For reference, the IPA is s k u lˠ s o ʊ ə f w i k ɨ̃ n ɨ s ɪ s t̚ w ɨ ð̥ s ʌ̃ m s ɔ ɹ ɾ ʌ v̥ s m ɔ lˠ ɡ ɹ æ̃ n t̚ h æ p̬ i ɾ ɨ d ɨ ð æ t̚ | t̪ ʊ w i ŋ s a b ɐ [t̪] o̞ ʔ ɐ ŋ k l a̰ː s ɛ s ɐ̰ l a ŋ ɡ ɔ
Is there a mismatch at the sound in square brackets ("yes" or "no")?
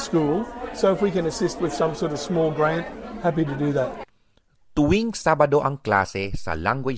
yes